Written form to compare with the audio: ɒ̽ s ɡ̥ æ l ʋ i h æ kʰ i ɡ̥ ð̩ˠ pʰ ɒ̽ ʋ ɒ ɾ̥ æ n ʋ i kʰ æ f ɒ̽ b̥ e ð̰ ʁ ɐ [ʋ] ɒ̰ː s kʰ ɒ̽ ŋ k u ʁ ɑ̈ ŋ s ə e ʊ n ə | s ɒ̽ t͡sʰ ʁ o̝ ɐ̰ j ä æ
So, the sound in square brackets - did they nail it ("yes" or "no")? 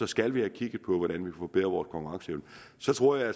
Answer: yes